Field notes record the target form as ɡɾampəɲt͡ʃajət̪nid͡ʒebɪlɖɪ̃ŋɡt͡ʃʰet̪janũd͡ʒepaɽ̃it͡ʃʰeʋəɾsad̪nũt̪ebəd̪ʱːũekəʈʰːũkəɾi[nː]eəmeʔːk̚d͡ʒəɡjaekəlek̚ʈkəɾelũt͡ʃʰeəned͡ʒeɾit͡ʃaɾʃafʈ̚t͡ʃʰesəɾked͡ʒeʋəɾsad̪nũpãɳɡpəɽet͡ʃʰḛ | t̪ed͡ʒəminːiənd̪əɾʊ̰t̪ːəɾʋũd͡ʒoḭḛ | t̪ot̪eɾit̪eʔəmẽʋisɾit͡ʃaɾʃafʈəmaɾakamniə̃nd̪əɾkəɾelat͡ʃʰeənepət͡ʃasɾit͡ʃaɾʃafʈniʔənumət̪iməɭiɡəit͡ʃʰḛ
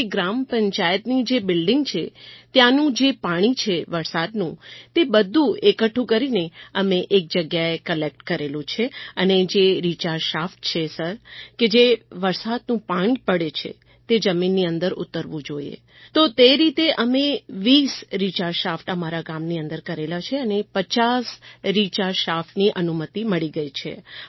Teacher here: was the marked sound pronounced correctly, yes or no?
no